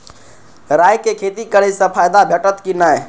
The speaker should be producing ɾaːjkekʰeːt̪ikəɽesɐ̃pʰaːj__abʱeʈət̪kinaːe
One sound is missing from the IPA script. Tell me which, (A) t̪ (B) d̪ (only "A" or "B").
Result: B